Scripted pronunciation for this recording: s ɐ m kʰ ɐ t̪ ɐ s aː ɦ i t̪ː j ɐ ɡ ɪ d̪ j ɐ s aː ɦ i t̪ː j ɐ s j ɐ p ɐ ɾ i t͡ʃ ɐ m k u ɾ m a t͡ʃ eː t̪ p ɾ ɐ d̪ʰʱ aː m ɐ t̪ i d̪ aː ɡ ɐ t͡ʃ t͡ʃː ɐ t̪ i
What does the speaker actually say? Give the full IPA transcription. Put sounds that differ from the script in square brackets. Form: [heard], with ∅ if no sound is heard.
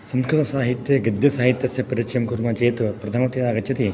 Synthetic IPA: s ɐ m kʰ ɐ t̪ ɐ s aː ɦ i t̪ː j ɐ ɡ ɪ d̪ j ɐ s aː ɦ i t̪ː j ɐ s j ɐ p ɐ ɾ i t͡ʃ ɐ m k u ɾ m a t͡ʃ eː t̪ p ɾ ɐ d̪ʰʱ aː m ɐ t̪ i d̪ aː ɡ ɐ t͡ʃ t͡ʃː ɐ t̪ i